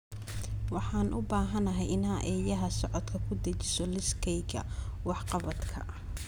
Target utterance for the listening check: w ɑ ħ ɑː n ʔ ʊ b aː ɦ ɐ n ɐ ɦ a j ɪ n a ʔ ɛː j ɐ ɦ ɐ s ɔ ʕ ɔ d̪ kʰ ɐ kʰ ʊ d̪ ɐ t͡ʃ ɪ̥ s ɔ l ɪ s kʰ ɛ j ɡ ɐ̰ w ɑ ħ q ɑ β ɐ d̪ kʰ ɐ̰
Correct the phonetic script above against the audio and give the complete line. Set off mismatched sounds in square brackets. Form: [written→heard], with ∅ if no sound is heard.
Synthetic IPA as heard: w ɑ ħ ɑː n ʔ ʊ b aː ɦ ɐ n ɐ ɦ [a→ɛ] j ɪ n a ʔ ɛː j ɐ ɦ ɐ s ɔ ʕ ɔ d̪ kʰ ɐ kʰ ʊ d̪ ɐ t͡ʃ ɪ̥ s ɔ l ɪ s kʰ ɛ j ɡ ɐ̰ w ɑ ħ q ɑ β ɐ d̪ kʰ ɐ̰